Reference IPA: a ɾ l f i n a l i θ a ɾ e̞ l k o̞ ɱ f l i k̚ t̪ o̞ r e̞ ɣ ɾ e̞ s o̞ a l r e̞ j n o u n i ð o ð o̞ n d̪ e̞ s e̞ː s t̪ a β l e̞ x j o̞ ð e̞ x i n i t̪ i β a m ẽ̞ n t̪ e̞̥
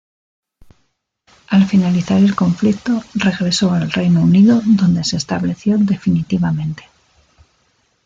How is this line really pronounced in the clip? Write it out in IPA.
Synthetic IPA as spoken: a l f i n a l i θ a ɾ e̞ l k o̞ ɱ f l i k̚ t̪ o̞ r e̞ ɣ ɾ e̞ s o̞ a l r e̞ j n o u n i ð o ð o̞ n d̪ e̞ s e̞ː s t̪ a β l e̞ θ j o̞ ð e̞ f i n i t̪ i β a m ẽ̞ n t̪ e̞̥

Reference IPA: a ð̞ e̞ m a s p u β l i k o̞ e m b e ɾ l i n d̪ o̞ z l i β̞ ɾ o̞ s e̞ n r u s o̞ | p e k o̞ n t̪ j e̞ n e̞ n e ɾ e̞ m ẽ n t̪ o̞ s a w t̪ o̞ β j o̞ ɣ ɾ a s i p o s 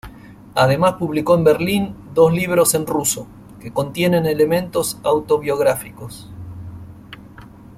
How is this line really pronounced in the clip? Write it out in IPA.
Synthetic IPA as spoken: a ð̞ e̞ m a s p u β l i k o̞ e m b e ɾ l i n d̪ o̞ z l i β̞ ɾ o̞ s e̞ n r u s o̞ | k e k o̞ n t̪ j e̞ n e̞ n e l e̞ m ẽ n t̪ o̞ s a w t̪ o̞ β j o̞ ɣ ɾ a f i k o s

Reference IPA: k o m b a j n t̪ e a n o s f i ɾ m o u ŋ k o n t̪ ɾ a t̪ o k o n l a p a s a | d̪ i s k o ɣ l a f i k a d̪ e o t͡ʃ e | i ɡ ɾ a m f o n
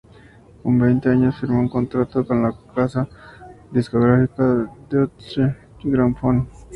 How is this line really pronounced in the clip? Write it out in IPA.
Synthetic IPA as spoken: k o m b e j n t̪ e a ɲ o s f i ɾ m o u ŋ k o n t̪ ɾ a t̪ o k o n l a k a s a | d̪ i s k o ɣ ɾ a f i k a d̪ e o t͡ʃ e | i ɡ ɾ a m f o n

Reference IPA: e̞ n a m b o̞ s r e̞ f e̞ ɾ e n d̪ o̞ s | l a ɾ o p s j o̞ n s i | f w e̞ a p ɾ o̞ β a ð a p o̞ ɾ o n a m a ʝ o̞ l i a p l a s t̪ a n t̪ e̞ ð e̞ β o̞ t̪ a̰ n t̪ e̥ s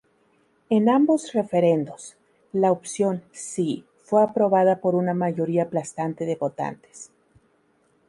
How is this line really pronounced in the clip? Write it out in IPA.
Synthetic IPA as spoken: e̞ n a m b o̞ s r e̞ f e̞ ɾ e n d̪ o̞ s | l a o p s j o̞ n s i | f w e̞ a p ɾ o̞ β a ð a p o̞ ɾ u n a m a ʝ o̞ ɾ i a p l a s t̪ a n t̪ e̞ ð e̞ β o̞ t̪ a̰ n t̪ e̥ s

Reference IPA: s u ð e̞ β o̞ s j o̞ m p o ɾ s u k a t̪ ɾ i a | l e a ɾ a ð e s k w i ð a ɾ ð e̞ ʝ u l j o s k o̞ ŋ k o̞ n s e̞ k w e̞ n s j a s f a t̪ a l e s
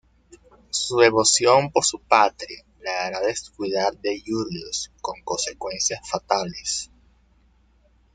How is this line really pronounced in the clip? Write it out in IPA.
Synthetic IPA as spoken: s u ð e̞ β o̞ s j o̞ m p o ɾ s u p a t̪ ɾ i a | l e a ɾ a ð e s k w i ð a ɾ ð e̞ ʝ u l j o s k o̞ ŋ k o̞ n s e̞ k w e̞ n s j a s f a t̪ a l e s

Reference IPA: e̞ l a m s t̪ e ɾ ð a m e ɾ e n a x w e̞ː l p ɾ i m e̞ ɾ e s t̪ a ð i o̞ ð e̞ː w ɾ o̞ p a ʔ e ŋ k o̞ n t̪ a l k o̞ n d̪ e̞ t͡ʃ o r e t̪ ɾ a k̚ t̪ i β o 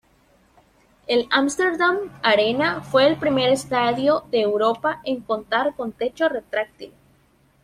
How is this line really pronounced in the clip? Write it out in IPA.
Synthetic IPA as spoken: e̞ l a m s t̪ e ɾ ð a m a ɾ e n a f w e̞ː l p ɾ i m e̞ ɾ e s t̪ a ð j o̞ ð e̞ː w ɾ o̞ p a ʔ e ŋ k o̞ n t̪ a ɾ k o̞ n t̪ e̞ t͡ʃ o r e t̪ ɾ a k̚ t̪ i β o

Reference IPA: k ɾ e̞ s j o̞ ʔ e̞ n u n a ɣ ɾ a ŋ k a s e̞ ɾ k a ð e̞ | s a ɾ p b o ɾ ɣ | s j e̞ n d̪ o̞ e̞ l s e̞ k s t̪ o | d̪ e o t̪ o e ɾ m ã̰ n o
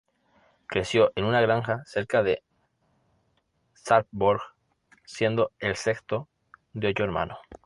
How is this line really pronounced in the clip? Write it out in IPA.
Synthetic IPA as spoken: k ɾ e̞ s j o̞ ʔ e̞ n u n a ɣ ɾ a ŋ x a s e̞ ɾ k a ð e̞ | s a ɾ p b o ɾ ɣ | s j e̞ n d̪ o̞ e̞ l s e̞ k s t̪ o | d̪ e o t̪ o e ɾ m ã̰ n o

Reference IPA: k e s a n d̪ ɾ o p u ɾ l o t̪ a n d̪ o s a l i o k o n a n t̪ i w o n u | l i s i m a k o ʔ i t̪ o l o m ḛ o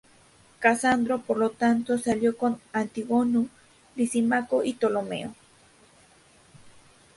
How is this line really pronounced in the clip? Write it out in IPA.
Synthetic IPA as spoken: k a s a n d̪ ɾ o p o ɾ l o t̪ a n t̪ o s a l j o k o n a n t̪ i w o n u | l i s i m a k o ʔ i t̪ o l o m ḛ o

